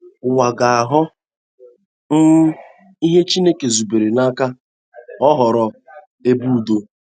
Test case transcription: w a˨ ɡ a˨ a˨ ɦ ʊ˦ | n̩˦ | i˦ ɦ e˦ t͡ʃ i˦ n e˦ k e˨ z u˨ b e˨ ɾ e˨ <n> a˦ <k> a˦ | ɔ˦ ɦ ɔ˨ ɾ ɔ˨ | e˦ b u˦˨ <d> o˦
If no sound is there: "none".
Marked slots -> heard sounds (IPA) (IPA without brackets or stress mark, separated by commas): n, k, d